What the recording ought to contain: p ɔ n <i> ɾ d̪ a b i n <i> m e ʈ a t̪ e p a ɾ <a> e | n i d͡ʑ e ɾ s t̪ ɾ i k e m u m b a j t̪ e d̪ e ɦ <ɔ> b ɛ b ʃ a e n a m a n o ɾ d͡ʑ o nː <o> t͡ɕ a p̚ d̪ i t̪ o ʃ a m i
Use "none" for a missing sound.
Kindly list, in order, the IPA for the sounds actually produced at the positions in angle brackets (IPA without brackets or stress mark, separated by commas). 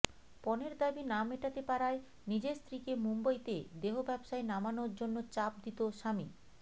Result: e, a, a, o, o